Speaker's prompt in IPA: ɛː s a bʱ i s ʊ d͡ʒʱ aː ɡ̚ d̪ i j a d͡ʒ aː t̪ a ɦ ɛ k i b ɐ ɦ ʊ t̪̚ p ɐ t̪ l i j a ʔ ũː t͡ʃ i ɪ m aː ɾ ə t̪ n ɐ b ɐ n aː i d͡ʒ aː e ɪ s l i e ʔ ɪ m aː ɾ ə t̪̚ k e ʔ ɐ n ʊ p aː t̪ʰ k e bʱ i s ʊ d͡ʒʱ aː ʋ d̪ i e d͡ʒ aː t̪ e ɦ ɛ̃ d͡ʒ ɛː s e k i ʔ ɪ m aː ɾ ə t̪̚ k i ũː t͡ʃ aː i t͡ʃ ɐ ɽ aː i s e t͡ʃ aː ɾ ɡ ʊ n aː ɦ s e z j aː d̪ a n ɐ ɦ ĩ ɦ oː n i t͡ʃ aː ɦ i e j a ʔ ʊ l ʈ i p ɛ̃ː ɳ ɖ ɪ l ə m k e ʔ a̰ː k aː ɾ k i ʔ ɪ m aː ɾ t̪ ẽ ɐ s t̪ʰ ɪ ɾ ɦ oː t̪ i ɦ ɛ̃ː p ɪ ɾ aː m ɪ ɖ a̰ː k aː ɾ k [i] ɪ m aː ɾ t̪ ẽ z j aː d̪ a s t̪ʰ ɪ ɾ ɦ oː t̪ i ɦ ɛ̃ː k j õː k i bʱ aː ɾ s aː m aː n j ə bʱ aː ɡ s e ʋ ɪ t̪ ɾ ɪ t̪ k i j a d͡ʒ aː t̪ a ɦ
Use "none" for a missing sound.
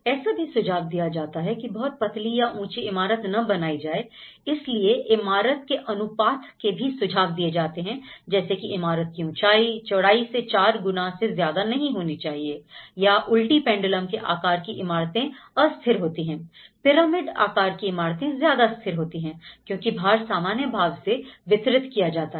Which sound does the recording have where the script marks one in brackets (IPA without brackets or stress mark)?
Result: i